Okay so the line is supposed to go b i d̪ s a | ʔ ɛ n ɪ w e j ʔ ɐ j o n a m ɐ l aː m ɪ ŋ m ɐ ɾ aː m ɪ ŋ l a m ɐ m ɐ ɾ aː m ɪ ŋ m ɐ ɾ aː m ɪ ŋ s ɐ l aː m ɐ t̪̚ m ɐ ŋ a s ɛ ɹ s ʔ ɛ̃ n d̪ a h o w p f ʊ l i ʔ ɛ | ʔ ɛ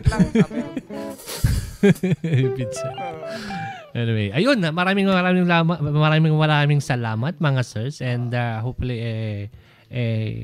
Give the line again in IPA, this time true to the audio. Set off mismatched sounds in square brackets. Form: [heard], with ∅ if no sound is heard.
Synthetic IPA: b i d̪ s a | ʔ ɛ n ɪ w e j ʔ ɐ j o n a m ɐ [ɾ] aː m ɪ ŋ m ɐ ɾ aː m ɪ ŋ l a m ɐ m ɐ ɾ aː m ɪ ŋ m ɐ ɾ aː m ɪ ŋ s ɐ l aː m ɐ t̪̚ m ɐ ŋ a s ɛ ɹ s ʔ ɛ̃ n d̪ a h o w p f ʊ l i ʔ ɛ | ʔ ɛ